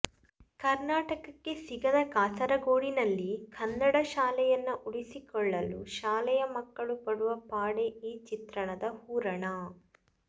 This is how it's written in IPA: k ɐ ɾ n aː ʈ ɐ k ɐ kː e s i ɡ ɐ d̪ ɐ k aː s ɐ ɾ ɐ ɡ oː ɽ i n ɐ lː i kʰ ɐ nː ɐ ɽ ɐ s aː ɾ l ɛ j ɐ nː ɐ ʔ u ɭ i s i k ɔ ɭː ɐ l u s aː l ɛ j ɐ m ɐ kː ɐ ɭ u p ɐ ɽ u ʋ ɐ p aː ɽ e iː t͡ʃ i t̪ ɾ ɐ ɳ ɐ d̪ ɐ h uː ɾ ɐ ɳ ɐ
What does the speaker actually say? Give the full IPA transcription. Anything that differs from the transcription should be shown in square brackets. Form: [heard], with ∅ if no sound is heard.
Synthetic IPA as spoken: k ɐ ɾ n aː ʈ ɐ k ɐ kː e s i ɡ ɐ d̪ ɐ k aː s ɐ ɾ ɐ ɡ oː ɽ i n ɐ lː i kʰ ɐ nː ɐ ɽ ɐ [ʃ] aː [∅] l ɛ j ɐ nː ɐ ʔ u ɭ i s i k ɔ ɭː ɐ l u [ʃ] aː l ɛ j ɐ m ɐ kː ɐ ɭ u p ɐ ɽ u ʋ ɐ p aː ɽ e iː t͡ʃ i t̪ ɾ ɐ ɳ ɐ d̪ ɐ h uː ɾ ɐ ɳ ɐ